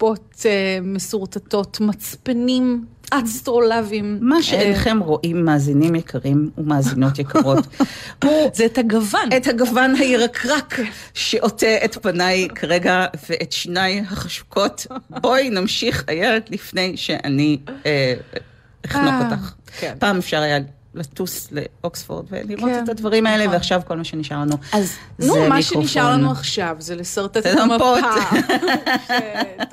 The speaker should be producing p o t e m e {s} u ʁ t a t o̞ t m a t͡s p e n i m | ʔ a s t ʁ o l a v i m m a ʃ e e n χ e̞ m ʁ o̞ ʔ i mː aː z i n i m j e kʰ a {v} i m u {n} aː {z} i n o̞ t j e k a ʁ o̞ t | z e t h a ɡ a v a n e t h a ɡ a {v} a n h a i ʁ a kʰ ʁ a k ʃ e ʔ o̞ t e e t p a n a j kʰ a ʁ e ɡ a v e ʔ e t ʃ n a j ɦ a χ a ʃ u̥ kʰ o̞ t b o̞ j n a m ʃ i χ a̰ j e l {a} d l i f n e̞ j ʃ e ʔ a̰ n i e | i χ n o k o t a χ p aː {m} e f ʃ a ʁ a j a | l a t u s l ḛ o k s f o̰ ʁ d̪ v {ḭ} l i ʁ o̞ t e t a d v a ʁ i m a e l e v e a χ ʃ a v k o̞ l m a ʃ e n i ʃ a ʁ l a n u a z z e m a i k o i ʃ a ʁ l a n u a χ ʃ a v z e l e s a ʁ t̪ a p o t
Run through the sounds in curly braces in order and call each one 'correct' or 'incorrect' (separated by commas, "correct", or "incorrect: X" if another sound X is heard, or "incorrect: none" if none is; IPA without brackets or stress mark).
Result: correct, incorrect: ʁ, incorrect: m, correct, correct, incorrect: e, correct, incorrect: ḛ